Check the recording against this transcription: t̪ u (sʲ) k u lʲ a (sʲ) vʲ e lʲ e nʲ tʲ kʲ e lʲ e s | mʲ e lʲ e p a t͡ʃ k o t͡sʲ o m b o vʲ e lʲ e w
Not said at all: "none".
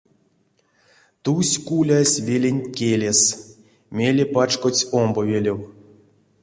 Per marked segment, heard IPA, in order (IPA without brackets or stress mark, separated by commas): sʲ, sʲ